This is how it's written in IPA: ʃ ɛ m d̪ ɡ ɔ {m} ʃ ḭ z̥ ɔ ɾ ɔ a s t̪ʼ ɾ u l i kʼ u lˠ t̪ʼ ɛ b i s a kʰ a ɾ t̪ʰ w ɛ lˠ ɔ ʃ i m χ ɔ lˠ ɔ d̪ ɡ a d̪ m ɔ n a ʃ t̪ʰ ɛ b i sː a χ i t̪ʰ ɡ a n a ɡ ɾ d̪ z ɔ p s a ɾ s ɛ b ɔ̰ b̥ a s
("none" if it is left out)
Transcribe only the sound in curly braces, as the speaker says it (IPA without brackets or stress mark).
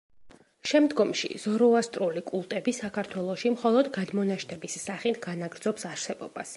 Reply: m